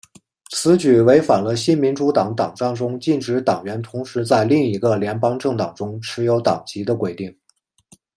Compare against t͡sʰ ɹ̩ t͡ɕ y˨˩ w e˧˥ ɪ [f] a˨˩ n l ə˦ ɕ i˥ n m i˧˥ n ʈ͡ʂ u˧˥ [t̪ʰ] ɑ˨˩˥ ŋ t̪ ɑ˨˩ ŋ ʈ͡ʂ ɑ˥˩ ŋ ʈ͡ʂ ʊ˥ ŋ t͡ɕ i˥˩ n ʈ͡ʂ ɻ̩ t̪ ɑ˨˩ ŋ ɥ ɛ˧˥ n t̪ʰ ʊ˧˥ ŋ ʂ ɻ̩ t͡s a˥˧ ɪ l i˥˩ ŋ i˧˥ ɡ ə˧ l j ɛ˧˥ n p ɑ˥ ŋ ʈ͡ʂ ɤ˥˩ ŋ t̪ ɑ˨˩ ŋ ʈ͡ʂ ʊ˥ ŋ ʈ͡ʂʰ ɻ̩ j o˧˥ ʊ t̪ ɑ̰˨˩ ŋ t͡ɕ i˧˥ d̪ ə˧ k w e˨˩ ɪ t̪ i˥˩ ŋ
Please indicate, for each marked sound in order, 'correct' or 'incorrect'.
correct, incorrect: t̪

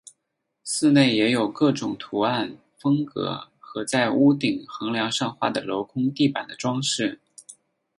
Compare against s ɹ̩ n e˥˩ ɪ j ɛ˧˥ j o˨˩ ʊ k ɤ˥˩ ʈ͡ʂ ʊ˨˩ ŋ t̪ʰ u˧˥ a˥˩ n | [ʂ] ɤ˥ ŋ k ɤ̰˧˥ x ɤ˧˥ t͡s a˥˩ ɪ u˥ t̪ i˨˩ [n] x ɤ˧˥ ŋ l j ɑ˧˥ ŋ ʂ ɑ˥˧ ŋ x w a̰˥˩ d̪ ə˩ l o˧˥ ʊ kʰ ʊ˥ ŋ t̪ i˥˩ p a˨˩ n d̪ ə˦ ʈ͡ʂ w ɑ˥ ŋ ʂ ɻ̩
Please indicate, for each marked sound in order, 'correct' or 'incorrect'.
incorrect: f, incorrect: ŋ

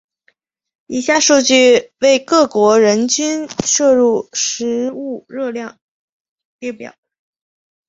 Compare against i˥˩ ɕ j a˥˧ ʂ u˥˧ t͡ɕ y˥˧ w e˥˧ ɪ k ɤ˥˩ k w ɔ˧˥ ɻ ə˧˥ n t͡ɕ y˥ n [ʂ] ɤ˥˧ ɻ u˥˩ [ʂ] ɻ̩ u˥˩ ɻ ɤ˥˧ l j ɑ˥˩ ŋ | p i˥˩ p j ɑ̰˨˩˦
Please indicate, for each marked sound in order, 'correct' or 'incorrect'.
correct, correct

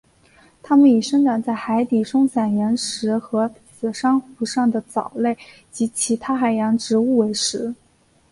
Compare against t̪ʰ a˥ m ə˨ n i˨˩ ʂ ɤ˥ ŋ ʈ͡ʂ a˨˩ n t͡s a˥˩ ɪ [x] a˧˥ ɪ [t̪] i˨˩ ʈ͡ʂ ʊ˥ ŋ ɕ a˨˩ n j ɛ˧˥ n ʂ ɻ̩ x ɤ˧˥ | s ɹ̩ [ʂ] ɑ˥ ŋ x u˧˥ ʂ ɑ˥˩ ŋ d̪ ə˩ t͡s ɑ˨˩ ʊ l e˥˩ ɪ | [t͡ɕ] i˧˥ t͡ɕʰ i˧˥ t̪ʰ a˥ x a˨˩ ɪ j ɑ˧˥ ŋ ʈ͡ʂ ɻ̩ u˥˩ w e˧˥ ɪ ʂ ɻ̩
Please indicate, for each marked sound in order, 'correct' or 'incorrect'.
correct, correct, correct, correct

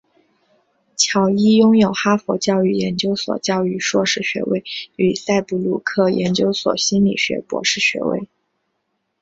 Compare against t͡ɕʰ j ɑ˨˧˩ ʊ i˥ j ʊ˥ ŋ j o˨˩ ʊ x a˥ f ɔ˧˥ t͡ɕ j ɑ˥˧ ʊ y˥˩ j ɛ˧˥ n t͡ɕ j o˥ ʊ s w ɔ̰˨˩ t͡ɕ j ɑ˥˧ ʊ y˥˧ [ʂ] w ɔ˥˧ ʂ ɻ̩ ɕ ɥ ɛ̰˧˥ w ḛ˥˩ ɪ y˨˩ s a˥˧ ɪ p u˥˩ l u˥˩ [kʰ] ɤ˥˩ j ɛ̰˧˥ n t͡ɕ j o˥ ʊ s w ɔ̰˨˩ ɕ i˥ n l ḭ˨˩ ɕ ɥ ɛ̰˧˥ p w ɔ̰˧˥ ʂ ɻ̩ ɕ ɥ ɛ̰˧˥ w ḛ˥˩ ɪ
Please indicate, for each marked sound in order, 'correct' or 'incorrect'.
correct, correct

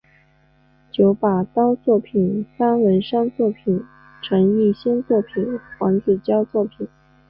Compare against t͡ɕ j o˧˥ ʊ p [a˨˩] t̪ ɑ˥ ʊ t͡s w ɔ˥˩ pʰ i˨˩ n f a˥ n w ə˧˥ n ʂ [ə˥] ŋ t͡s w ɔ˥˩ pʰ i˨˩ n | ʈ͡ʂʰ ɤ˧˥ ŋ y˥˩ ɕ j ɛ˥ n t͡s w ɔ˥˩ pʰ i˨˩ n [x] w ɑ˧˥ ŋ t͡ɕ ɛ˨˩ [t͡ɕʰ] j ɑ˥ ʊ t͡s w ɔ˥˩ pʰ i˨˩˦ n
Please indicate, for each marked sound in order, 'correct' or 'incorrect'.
correct, incorrect: ɑ˥, correct, incorrect: t͡ɕ

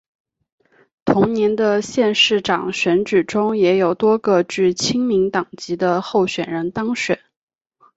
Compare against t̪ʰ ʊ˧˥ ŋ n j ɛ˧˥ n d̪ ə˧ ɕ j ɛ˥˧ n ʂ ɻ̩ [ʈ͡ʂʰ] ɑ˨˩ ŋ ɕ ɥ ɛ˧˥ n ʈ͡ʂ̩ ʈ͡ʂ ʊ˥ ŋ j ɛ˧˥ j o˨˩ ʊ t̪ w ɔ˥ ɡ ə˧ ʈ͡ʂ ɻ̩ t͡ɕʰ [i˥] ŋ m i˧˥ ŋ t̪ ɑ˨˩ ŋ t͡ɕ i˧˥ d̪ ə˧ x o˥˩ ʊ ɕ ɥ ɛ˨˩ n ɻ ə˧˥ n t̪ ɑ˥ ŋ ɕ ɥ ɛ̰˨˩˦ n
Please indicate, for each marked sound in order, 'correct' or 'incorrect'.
incorrect: ʈ͡ʂ, correct

